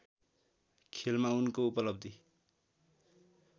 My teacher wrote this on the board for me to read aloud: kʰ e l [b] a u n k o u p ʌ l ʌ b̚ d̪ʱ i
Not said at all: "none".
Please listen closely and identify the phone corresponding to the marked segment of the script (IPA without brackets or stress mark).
m